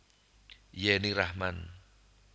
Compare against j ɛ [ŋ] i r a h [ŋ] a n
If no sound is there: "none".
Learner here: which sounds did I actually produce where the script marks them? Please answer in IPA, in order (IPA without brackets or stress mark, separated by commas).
n, m